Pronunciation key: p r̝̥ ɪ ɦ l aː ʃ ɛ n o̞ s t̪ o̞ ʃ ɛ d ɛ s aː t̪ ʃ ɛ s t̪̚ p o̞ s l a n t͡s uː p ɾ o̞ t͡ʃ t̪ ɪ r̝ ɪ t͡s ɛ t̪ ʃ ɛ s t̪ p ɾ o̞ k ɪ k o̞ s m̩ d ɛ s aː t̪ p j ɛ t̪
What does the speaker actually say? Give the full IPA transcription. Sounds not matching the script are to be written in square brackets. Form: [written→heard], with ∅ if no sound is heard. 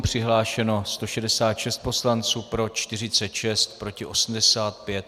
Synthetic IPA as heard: p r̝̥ ɪ ɦ l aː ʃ ɛ n o̞ s t̪ o̞ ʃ ɛ d ɛ s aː t̪ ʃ ɛ s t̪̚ p o̞ s l a n t͡s uː p ɾ o̞ t͡ʃ t̪ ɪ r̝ ɪ t͡s ɛ t̪ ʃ ɛ s t̪ p ɾ o̞ [k→c] ɪ [k→ʔ] o̞ s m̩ d ɛ s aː t̪ p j ɛ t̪

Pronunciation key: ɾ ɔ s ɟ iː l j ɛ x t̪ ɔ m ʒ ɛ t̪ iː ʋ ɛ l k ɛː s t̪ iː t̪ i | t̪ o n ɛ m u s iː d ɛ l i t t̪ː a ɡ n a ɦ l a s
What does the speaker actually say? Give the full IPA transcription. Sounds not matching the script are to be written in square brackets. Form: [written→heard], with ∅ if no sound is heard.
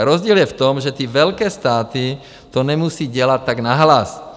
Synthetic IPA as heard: ɾ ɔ [s→z] ɟ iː l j ɛ [x→f] t̪ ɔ m ʒ ɛ t̪ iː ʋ ɛ l k ɛː s t̪ [iː→aː] t̪ i | t̪ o n ɛ m u s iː [d→ɟ] ɛ l [i→a] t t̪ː a ɡ n a ɦ l a s

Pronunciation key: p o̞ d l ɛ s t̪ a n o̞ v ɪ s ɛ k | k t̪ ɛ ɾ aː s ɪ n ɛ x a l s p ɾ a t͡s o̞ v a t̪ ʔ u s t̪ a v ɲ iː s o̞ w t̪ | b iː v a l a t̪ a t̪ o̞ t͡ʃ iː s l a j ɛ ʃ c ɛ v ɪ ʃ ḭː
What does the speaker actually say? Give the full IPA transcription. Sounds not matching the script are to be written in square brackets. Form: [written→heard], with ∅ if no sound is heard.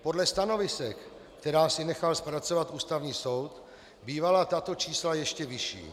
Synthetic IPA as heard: p o̞ d l ɛ s t̪ a n o̞ v ɪ s ɛ k | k t̪ ɛ ɾ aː s ɪ n ɛ x a l s p ɾ a t͡s o̞ v a t̪ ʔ [u→uː] s t̪ a v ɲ iː s o̞ w t̪ | b iː v a l a t̪ a t̪ o̞ t͡ʃ iː s l a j ɛ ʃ c ɛ v ɪ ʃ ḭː

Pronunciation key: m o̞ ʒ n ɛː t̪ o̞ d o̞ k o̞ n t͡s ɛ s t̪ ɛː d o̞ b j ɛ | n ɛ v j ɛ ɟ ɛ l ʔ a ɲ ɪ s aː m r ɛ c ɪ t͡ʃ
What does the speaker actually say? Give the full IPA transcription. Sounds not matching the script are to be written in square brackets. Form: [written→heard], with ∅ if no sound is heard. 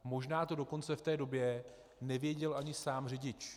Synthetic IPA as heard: m o̞ ʒ n [ɛː→aː] t̪ o̞ d o̞ k o̞ n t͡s ɛ [s→f] t̪ ɛː d o̞ b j ɛ | n ɛ v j ɛ ɟ ɛ l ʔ a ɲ ɪ s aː m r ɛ [c→ɟ] ɪ t͡ʃ

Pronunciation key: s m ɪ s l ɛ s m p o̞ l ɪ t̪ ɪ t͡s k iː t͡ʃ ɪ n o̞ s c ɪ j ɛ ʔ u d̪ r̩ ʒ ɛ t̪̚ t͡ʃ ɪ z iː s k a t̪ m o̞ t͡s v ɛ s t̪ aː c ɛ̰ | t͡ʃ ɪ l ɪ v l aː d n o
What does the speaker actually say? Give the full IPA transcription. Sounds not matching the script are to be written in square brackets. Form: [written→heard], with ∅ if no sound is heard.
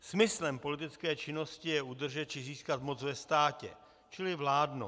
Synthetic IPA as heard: s m ɪ s l ɛ [s→∅] m p o̞ l ɪ t̪ ɪ t͡s k [iː→ɛː] t͡ʃ ɪ n o̞ s c ɪ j ɛ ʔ u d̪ r̩ ʒ ɛ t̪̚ t͡ʃ ɪ z iː s k a t̪ m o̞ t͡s v ɛ s t̪ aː c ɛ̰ | t͡ʃ ɪ l ɪ v l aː d n o

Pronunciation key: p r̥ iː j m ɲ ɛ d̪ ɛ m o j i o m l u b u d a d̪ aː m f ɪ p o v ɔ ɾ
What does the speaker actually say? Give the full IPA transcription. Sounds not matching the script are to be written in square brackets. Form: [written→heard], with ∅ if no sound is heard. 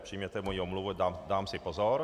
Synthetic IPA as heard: p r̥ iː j m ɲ ɛ [d̪→t̪] ɛ m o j i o m l u [b→v] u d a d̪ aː m [f→s] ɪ p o [v→z] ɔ ɾ

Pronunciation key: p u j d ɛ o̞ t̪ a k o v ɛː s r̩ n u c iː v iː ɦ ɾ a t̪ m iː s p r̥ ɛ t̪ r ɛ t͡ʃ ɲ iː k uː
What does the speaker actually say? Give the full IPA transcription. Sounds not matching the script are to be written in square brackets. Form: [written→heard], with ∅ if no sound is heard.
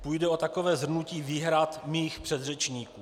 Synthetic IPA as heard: p u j d ɛ o̞ t̪ a k o v ɛː [s→z] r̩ n u c iː v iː ɦ ɾ a t̪ m iː [s→x] p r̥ ɛ [t̪→d̪] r ɛ t͡ʃ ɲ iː k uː

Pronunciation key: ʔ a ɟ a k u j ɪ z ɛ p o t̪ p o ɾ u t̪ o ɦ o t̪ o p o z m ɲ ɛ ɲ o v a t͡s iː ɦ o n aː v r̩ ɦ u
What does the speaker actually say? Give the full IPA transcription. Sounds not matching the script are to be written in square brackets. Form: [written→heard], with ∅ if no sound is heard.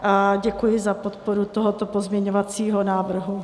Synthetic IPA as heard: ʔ a ɟ [a→ɛ] k u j ɪ z [ɛ→a] p o t̪ p o ɾ u t̪ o ɦ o t̪ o p o z m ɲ ɛ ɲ o v a t͡s iː ɦ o n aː v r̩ ɦ u

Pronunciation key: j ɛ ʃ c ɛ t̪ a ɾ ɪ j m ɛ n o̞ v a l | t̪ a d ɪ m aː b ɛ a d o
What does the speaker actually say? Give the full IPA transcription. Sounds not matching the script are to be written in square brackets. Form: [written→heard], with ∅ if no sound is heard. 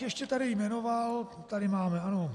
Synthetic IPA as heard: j ɛ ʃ c ɛ t̪ a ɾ ɪ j m ɛ n o̞ v a l | t̪ a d ɪ m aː [b→m] ɛ a [d→n] o

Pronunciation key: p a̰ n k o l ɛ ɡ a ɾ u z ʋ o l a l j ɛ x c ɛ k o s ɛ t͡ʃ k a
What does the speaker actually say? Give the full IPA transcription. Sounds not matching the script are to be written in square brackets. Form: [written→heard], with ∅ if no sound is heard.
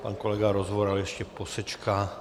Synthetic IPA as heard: p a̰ n k o l ɛ ɡ a ɾ [u→o] z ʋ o [l→ɾ] a l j ɛ [x→ʃ] c ɛ [k→p] o s ɛ t͡ʃ k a

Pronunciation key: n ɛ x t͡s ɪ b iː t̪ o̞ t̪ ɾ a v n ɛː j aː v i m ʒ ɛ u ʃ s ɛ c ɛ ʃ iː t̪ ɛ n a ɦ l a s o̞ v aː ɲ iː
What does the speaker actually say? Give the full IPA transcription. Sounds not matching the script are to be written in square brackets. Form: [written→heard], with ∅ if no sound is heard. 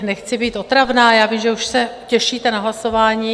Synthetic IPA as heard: n ɛ x t͡s ɪ b iː t̪ o̞ t̪ ɾ a v n [ɛː→aː] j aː v i m ʒ ɛ u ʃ s ɛ c ɛ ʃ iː t̪ ɛ n a ɦ l a s o̞ v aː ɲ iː

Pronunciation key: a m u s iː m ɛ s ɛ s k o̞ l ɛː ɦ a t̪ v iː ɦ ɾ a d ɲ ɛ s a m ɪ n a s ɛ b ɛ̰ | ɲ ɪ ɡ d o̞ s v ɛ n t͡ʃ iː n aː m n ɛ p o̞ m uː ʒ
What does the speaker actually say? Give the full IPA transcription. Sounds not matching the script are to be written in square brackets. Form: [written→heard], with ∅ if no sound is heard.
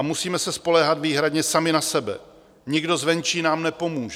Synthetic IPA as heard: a m u s iː m ɛ s ɛ s [k→p] o̞ l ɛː ɦ a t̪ v iː ɦ ɾ a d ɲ ɛ s a m ɪ n a s ɛ b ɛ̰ | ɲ ɪ ɡ d o̞ [s→z] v ɛ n t͡ʃ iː n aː m n ɛ p o̞ m uː ʒ

